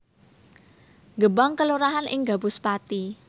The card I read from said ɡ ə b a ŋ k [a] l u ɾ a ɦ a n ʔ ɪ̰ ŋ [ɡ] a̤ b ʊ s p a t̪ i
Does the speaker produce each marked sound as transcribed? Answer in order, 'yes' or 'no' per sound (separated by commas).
no, yes